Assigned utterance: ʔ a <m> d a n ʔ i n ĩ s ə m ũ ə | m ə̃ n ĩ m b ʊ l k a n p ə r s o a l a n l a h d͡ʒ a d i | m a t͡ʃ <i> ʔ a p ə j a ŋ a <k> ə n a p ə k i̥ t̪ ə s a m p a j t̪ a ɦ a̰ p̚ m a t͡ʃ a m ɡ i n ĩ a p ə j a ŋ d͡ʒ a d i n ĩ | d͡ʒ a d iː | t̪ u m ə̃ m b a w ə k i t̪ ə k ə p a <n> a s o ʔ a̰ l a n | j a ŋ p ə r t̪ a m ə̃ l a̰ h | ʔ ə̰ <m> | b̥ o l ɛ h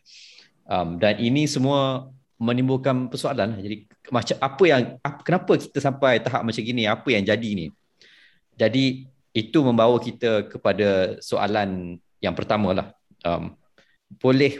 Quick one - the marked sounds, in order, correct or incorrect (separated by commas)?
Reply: correct, incorrect, correct, incorrect, correct